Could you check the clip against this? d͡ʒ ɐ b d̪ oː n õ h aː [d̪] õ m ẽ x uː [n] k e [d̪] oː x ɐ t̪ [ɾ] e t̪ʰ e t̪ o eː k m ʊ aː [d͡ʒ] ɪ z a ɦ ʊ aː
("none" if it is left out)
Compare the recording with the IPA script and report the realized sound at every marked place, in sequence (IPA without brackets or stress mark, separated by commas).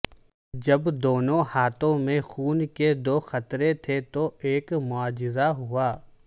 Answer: t̪, n, d̪, ɾ, d͡ʒ